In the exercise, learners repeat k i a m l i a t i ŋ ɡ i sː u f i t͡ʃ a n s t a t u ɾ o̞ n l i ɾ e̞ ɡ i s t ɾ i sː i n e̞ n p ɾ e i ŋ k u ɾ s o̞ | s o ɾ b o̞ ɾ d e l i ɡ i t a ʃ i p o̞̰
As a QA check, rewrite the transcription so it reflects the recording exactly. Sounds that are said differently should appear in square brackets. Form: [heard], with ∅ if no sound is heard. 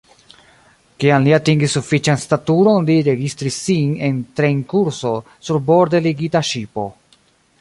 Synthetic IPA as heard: k i a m l i a t i ŋ ɡ i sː u f i t͡ʃ a n s t a t u ɾ o̞ n l i ɾ e̞ ɡ i s t ɾ i sː i n e̞ n [t] ɾ e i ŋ k u ɾ s o̞ | s [u] ɾ b o̞ ɾ d e l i ɡ i t a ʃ i p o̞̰